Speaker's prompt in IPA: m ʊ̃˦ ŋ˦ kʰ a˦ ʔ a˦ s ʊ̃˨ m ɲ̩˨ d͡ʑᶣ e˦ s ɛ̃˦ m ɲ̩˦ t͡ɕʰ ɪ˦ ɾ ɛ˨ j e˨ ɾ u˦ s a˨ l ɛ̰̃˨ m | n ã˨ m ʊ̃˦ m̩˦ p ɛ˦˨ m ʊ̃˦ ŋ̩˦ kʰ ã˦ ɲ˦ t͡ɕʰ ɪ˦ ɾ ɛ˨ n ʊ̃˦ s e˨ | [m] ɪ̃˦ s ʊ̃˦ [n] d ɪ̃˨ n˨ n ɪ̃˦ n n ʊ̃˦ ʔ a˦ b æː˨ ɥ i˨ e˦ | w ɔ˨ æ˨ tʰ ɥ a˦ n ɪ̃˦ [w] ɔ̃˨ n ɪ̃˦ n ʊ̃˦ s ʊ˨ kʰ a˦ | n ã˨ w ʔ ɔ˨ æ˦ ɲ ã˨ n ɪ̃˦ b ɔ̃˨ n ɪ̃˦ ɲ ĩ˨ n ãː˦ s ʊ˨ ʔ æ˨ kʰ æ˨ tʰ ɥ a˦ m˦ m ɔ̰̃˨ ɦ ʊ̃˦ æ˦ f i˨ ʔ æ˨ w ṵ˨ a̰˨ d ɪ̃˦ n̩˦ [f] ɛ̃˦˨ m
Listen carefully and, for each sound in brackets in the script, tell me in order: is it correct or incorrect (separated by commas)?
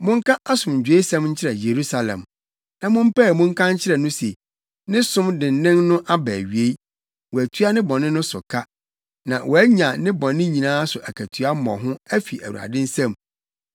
incorrect, incorrect, incorrect, incorrect